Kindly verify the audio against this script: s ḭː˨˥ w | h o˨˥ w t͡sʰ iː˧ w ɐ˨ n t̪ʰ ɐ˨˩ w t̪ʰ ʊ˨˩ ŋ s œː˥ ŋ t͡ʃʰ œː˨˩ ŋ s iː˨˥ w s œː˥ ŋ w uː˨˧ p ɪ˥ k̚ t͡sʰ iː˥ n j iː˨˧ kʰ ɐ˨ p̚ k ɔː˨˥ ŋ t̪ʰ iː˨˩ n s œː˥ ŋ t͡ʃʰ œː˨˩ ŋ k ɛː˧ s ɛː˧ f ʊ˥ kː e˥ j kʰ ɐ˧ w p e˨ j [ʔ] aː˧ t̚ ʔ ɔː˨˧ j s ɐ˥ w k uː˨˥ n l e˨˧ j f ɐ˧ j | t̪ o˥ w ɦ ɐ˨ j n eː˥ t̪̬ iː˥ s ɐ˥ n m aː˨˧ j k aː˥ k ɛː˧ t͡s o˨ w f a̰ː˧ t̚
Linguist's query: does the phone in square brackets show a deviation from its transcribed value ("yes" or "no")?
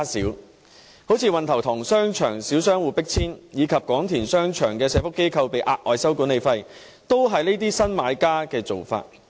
no